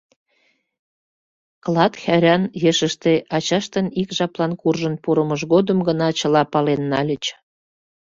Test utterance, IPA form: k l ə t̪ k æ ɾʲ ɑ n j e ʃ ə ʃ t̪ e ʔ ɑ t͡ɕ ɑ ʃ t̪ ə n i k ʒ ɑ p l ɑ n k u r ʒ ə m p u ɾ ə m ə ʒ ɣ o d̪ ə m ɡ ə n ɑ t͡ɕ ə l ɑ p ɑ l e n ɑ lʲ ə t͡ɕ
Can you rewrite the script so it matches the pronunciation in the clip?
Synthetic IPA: k l ɑ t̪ x æ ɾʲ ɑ n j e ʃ ə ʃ t̪ e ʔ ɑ t͡ɕ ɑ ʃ t̪ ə n i k ʒ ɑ p l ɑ n k u r ʒ ə n p u ɾ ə m ə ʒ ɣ o d̪ ə m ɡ ə n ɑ t͡ɕ ə l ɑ p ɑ l e nː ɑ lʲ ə t͡ɕ